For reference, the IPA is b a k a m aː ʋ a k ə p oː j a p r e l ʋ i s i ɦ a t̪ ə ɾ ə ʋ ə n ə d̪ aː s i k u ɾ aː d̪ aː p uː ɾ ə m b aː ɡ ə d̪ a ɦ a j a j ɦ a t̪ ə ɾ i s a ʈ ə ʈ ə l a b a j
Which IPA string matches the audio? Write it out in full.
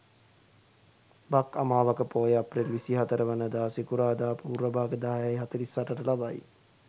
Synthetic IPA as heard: b a k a m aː ʋ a k ə p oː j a p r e l ʋ i s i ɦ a t̪ ə ɾ ə ʋ ə n ə d̪ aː s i k u ɾ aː d̪ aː p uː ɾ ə b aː ɡ ə d̪ a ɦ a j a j ɦ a t̪ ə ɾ i s a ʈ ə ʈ ə l a b a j